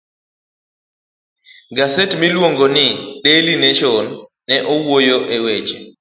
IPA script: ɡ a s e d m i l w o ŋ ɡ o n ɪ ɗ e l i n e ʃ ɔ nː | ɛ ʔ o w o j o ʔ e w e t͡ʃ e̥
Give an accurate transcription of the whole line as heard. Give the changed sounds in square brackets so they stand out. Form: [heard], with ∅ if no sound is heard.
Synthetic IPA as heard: ɡ a s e [t] m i l w o ŋ ɡ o n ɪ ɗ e l i n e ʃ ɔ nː | ɛ ʔ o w o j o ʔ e w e t͡ʃ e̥